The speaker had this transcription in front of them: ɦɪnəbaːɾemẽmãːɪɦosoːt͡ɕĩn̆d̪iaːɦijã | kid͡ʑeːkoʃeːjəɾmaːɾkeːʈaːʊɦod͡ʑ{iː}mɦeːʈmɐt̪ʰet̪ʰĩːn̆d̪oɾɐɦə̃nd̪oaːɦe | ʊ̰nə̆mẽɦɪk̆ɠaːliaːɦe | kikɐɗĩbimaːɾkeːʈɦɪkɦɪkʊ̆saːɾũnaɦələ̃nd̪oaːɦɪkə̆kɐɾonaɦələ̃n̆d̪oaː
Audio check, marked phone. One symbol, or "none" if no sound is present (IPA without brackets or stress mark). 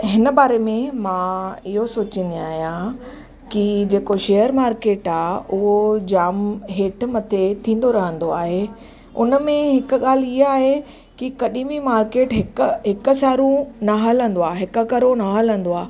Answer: aː